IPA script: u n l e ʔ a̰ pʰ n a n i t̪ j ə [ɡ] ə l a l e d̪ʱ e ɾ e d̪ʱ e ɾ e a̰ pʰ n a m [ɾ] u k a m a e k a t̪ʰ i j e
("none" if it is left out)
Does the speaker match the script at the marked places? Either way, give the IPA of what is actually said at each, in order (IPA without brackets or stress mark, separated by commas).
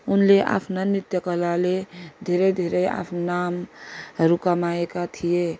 k, ɾ